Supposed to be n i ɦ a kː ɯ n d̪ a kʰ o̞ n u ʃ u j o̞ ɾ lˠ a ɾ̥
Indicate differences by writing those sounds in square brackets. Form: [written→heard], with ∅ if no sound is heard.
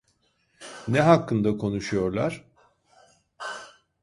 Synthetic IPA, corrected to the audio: n [i→ɛ] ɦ a kː ɯ n d̪ a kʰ o̞ n u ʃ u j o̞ ɾ lˠ a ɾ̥